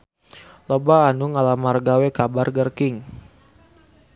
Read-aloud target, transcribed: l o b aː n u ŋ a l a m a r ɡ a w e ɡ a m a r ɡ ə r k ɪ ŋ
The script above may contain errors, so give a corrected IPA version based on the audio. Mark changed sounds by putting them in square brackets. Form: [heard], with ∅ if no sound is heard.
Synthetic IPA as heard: l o b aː n u ŋ a l a m a r ɡ a w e [k] a [b] a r ɡ ə r k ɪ ŋ